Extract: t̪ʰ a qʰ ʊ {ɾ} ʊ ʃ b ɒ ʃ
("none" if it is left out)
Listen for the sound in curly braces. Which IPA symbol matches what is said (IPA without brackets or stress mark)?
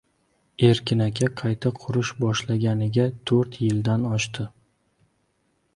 ɾ